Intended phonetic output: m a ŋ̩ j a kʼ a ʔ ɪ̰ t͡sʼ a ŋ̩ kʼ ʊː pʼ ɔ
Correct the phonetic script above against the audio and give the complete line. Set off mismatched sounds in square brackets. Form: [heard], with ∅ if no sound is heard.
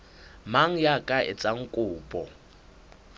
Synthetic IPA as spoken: m a ŋ̩ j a kʼ a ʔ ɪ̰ t͡sʼ a ŋ̩ kʼ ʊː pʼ ɔ